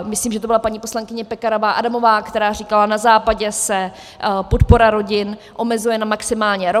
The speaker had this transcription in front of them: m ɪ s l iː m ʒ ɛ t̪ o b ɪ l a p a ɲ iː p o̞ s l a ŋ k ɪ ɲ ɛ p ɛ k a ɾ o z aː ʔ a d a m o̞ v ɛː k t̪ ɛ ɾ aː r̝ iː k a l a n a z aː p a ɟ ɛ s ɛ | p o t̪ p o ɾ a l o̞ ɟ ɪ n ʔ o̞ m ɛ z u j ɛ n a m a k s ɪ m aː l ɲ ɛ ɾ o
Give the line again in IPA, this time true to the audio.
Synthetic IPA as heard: m ɪ s l iː m ʒ ɛ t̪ o b ɪ l a p a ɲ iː p o̞ s l a ŋ k ɪ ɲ ɛ p ɛ k a ɾ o v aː ʔ a d a m o̞ v aː k t̪ ɛ ɾ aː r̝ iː k a l a n a z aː p a ɟ ɛ s ɛ | p o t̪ p o ɾ a ɾ o̞ ɟ ɪ n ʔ o̞ m ɛ z u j ɛ n a m a k s ɪ m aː l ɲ ɛ ɾ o